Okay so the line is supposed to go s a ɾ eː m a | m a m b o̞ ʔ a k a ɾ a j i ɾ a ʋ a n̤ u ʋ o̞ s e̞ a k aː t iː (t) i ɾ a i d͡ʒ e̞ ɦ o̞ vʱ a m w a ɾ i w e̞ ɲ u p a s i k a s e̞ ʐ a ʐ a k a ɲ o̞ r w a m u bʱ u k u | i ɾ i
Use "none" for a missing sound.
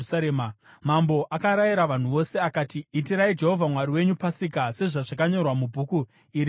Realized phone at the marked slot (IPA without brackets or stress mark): t